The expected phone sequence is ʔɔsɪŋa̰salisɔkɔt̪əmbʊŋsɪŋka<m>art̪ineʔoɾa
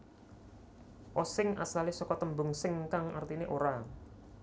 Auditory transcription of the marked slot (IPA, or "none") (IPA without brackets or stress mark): ŋ